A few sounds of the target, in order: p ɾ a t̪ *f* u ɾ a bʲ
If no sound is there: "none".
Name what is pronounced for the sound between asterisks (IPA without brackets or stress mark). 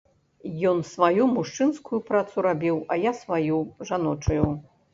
s